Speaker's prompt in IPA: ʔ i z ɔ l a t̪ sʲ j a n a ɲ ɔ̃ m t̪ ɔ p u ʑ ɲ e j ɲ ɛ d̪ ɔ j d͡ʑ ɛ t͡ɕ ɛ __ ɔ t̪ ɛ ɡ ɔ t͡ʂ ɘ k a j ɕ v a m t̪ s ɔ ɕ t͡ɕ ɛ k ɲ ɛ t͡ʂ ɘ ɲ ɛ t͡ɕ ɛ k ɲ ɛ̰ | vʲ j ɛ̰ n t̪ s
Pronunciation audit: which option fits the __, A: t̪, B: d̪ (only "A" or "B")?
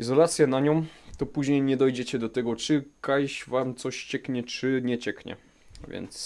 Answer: B